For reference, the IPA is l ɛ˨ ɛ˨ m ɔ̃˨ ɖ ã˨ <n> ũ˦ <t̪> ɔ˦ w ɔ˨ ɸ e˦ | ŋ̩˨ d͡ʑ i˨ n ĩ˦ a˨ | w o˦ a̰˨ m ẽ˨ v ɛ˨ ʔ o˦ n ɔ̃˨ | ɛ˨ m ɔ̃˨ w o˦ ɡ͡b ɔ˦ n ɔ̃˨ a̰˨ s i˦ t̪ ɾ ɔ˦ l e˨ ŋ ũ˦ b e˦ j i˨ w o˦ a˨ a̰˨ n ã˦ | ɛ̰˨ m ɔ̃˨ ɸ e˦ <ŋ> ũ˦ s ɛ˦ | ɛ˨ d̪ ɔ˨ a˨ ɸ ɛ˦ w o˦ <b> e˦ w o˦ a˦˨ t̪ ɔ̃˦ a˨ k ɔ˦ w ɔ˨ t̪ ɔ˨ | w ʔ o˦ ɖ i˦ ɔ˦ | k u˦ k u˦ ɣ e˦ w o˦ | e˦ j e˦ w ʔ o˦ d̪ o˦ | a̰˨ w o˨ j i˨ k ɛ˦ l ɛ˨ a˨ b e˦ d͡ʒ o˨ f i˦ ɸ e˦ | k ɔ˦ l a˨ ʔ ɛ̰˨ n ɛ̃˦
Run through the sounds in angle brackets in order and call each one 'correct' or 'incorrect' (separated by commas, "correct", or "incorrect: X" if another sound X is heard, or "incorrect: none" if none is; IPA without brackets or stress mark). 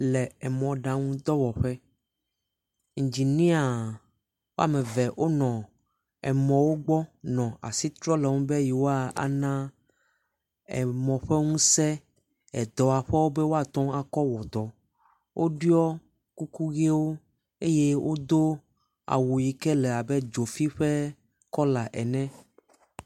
incorrect: ŋ, incorrect: d̪, correct, correct